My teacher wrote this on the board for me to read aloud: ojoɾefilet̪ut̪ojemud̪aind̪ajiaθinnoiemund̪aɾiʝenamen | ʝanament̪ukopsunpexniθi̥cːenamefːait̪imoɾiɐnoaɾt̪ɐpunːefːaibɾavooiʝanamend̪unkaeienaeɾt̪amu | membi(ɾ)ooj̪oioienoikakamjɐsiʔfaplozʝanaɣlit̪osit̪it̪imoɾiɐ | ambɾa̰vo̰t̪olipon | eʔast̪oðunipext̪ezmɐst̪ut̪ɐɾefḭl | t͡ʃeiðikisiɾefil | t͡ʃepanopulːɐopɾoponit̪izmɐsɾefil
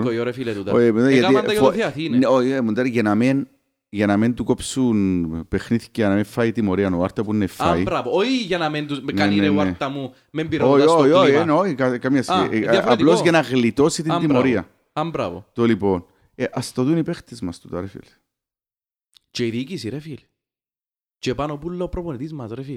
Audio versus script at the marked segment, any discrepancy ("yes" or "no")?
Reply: no